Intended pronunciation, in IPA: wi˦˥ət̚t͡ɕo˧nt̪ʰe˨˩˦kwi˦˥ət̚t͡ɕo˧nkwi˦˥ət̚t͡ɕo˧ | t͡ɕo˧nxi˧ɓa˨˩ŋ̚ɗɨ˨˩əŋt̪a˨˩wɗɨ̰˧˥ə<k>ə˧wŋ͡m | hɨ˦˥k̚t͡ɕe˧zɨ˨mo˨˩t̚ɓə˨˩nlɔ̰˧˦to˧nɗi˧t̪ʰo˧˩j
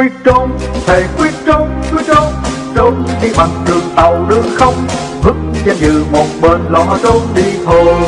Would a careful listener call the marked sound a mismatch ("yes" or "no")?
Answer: yes